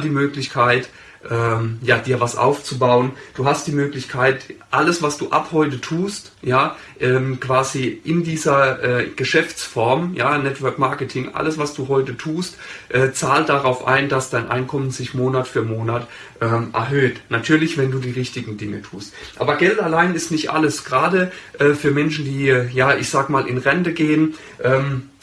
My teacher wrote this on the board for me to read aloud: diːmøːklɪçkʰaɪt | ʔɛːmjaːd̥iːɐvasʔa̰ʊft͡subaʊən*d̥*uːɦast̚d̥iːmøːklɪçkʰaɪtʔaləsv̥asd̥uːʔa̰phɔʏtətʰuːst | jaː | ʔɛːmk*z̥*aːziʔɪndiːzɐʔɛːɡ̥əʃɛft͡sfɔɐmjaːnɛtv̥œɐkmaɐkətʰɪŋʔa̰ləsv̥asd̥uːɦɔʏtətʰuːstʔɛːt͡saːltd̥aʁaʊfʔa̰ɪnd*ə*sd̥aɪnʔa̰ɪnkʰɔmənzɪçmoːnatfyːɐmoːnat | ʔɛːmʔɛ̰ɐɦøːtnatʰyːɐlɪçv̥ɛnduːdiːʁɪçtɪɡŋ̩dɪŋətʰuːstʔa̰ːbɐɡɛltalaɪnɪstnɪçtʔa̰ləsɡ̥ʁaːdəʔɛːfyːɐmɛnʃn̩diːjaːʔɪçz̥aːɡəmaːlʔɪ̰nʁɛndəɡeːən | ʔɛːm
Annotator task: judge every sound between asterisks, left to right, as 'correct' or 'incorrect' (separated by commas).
correct, incorrect, incorrect